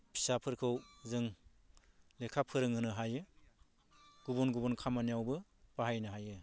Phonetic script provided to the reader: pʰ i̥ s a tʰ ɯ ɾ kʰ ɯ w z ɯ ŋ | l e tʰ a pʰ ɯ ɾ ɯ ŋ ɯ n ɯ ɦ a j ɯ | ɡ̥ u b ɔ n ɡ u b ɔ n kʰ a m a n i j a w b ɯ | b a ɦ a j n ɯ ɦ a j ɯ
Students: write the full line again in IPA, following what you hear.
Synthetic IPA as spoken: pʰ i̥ s a pʰ ɯ ɾ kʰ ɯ w z ɯ ŋ | l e kʰ a pʰ ɯ ɾ ɯ ŋ ɯ n ɯ ɦ a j ɯ | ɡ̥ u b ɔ n ɡ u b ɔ n kʰ a m a n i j a w b ɯ | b a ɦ a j n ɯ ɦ a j ɯ